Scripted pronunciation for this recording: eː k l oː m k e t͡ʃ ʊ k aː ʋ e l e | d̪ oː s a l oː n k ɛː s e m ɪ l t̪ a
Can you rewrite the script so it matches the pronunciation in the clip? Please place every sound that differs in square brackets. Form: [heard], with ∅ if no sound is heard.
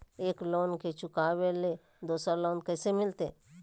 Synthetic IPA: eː k l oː [n] k e t͡ʃ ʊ k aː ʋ e l e | d̪ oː s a l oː n k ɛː s e m ɪ l t̪ [e]